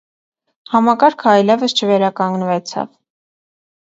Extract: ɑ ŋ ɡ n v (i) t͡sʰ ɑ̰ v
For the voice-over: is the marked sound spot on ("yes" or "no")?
no